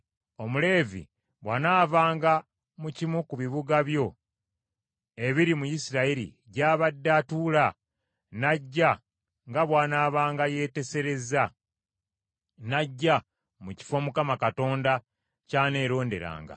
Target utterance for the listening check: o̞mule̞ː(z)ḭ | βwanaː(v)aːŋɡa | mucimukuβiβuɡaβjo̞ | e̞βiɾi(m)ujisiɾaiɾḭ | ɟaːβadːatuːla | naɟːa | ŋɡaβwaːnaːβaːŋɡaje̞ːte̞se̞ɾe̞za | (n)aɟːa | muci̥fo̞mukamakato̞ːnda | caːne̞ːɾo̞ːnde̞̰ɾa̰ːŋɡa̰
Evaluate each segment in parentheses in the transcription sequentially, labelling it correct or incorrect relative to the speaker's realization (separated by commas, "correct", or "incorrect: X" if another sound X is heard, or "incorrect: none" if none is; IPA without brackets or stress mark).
incorrect: v, correct, correct, correct